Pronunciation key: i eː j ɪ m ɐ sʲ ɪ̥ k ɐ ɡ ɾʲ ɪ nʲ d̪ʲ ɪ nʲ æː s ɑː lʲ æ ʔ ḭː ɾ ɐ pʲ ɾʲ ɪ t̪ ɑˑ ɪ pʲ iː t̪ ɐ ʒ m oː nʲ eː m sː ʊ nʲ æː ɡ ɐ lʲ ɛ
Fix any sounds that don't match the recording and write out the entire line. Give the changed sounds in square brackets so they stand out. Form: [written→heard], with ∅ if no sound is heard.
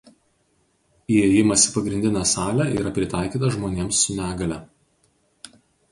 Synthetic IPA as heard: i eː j ɪ m ɐ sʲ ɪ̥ [k→p] ɐ ɡ ɾʲ ɪ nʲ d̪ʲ ɪ nʲ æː s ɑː lʲ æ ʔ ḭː ɾ ɐ pʲ ɾʲ ɪ t̪ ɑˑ ɪ [pʲ→kʲ] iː t̪ ɐ ʒ m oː nʲ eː m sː ʊ nʲ æː ɡ ɐ lʲ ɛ